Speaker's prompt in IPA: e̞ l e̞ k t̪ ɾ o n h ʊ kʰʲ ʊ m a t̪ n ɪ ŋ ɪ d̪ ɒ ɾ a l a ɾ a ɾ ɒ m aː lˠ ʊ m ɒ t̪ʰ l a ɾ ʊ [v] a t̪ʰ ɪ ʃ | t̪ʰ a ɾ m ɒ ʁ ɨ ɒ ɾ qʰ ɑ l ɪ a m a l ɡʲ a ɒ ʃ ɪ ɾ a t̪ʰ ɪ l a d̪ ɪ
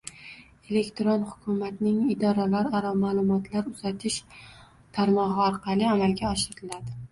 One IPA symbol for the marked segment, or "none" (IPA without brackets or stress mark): z